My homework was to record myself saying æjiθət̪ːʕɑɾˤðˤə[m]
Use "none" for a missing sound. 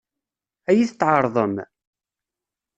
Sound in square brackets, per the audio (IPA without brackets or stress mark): m